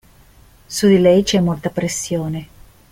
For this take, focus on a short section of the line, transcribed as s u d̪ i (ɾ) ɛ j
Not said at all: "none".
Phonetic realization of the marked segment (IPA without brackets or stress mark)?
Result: l